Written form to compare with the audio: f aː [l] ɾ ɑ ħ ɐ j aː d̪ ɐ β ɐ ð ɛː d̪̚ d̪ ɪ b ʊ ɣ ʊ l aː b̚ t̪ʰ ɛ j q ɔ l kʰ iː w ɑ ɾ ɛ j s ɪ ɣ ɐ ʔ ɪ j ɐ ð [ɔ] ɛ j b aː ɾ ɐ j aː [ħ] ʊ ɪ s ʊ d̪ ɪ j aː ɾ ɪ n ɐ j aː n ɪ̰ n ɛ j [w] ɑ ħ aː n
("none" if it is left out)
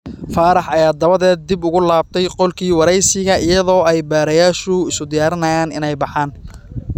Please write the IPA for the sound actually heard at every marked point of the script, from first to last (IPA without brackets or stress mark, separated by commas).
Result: none, ɔː, ʃ, b